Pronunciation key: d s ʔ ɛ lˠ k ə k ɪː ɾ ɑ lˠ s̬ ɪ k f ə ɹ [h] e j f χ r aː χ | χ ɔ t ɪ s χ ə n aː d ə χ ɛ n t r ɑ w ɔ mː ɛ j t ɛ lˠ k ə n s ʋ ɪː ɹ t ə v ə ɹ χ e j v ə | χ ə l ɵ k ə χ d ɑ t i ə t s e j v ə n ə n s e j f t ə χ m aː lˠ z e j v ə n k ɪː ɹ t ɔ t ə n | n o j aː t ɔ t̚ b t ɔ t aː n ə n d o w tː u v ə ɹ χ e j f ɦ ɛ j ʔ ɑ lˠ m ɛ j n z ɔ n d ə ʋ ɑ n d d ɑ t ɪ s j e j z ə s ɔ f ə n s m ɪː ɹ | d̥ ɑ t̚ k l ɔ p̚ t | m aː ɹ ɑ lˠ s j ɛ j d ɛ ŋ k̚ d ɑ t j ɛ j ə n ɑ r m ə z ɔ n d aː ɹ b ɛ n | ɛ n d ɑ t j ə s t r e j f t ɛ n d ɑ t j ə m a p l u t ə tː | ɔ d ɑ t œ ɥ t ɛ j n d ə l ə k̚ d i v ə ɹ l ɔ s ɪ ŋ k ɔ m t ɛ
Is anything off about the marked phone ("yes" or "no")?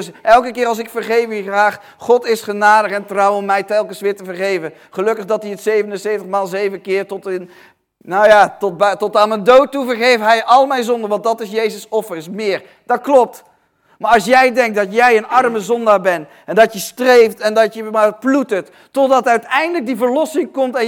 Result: yes